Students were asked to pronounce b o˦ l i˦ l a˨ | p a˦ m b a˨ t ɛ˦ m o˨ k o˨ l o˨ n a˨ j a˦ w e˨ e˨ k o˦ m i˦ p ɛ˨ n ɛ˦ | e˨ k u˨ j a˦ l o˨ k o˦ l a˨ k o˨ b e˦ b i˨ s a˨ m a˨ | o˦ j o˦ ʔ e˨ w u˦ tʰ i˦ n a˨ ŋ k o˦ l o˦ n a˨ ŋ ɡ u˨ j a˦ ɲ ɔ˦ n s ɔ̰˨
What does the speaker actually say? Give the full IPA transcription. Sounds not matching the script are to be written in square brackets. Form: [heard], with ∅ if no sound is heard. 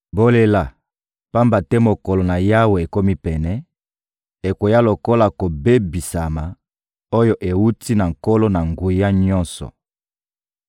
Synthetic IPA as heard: b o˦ l [e˦] l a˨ | p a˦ m b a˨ t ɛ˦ m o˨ k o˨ l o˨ n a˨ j a˦ w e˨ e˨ k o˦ m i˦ p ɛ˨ n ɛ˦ | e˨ k [o˨] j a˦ l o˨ k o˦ l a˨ k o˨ b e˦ b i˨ s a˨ m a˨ | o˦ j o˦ ʔ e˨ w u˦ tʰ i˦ n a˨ ŋ k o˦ l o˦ n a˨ ŋ ɡ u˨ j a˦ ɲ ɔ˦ n s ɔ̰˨